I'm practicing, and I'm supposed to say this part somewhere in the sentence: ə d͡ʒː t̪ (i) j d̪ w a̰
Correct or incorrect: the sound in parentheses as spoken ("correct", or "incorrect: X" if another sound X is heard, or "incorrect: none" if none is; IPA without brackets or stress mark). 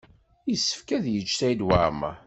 incorrect: æ